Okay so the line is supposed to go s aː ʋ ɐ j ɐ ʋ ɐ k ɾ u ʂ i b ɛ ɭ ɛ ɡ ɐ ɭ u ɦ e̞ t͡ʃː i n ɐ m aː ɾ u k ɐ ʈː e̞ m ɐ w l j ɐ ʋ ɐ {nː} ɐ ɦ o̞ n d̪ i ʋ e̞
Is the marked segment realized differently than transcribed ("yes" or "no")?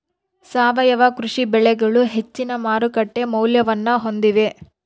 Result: no